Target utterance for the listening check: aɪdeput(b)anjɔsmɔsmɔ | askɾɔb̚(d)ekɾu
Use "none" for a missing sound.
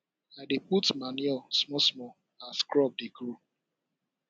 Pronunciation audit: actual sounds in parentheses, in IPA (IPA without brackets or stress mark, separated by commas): m, d